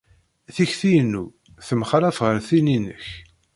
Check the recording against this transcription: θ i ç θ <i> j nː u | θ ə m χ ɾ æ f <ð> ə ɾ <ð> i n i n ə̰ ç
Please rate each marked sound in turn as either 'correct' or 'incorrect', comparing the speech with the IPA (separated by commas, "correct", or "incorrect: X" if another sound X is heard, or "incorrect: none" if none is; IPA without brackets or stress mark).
correct, incorrect: ʁ, incorrect: θ